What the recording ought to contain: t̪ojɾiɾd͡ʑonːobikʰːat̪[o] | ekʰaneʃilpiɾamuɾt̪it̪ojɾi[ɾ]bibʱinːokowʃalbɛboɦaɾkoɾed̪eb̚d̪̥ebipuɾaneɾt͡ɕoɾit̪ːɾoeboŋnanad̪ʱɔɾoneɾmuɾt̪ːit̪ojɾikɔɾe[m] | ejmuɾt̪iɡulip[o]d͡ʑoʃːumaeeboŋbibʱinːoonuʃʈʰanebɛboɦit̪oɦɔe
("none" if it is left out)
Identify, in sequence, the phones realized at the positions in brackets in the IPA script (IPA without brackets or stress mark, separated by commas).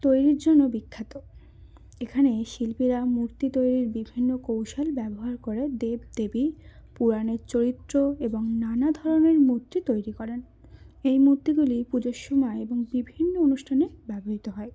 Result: o, ɾ, n, u